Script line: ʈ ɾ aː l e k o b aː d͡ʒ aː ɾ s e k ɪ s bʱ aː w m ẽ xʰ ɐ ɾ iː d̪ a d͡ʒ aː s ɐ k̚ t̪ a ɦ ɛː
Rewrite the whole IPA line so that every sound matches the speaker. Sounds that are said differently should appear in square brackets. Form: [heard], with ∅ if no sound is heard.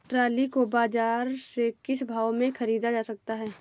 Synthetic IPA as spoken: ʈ ɾ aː l [i] k o b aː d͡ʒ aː ɾ s e k ɪ s bʱ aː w m ẽ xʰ ɐ ɾ iː d̪ a d͡ʒ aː s ɐ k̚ t̪ a ɦ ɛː